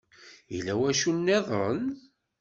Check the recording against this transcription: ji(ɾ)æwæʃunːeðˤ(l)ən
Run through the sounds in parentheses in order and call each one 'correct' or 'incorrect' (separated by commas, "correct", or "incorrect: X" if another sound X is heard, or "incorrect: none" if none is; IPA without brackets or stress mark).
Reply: incorrect: l, incorrect: ɾ